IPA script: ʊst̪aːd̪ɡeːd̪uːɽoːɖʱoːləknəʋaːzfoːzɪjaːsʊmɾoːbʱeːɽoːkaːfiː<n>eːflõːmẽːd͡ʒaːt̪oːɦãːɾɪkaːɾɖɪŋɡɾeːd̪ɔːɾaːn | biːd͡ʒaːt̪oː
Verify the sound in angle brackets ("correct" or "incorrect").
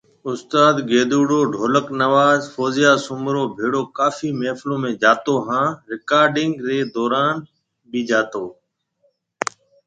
incorrect